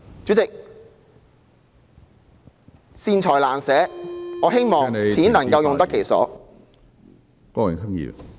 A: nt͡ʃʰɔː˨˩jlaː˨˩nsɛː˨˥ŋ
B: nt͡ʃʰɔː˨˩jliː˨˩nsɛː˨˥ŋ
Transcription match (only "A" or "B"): A